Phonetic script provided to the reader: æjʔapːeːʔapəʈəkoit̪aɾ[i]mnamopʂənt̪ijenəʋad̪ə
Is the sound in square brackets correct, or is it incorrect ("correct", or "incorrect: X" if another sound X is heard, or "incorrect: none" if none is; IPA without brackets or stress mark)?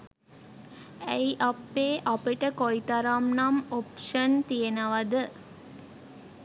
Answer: incorrect: a